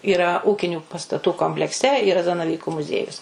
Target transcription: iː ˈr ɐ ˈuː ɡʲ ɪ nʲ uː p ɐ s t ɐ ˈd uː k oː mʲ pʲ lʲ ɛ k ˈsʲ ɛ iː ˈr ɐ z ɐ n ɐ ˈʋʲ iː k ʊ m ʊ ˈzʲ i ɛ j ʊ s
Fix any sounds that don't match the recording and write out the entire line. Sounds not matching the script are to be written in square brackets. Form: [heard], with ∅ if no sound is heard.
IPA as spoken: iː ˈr ɐ ˈuː [kʲ] ɪ nʲ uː p ɐ s t ɐ [ˈt] uː k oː mʲ pʲ lʲ ɛ k ˈsʲ ɛ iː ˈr ɐ z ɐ n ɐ ˈʋʲ iː k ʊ m ʊ ˈzʲ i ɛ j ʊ s